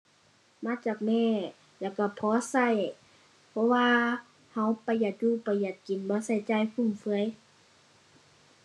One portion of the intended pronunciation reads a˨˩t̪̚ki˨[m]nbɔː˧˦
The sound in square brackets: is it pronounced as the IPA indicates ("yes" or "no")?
no